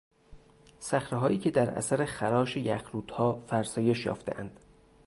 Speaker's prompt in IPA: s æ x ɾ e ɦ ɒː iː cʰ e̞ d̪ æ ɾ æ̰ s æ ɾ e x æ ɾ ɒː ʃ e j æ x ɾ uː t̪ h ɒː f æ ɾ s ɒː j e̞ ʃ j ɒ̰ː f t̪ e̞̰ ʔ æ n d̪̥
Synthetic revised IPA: s æ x ɾ e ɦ ɒː iː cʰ e̞ d̪ æ ɾ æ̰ s æ ɾ e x æ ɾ ɒː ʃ e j æ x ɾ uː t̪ h ɒː f æ ɾ s ɒː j e̞ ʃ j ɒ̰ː f t̪ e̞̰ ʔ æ n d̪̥